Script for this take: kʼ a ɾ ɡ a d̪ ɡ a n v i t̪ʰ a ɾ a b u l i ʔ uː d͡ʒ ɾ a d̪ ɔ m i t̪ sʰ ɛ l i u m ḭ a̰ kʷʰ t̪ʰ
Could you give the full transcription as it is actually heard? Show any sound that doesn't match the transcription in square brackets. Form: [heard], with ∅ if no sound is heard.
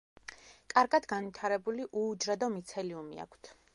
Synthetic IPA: kʼ a ɾ ɡ a d̪ ɡ a n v i t̪ʰ a ɾ [ɛ] b u l i ʔ uː d͡ʒ ɾ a d̪ ɔ m i t̪ sʰ ɛ l i u m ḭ a̰ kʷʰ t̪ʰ